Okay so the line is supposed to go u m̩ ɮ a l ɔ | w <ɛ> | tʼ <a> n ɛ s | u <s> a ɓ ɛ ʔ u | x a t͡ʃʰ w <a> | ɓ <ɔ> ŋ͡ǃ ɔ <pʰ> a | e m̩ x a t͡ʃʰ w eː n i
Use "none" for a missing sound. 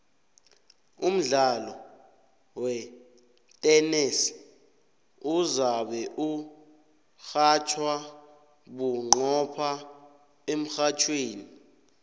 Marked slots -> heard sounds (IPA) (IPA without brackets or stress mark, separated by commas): ɛ, ɛ, z, a, u, pʰ